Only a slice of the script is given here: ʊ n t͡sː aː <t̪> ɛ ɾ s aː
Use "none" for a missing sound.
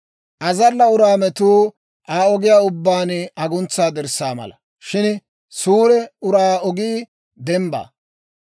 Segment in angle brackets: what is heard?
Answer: d̪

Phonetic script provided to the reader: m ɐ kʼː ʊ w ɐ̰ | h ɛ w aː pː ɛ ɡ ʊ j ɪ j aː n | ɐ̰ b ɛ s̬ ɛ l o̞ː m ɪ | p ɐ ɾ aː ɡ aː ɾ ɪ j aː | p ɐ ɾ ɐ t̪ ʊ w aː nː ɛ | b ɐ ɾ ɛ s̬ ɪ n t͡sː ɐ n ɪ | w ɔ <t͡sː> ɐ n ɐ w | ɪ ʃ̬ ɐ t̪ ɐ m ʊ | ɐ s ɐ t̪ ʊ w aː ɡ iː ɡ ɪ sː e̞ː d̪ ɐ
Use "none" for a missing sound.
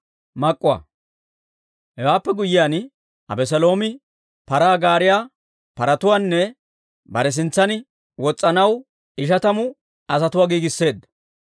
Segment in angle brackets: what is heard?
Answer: t͡sʼː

